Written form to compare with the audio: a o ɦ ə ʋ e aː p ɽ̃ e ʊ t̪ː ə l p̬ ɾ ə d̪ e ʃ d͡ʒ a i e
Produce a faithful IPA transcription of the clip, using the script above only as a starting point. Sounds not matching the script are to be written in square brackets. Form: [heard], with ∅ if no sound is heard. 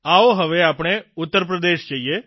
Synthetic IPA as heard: a o ɦ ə ʋ e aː p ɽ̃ e ʊ t̪ː ə [ɾ] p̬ ɾ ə d̪ e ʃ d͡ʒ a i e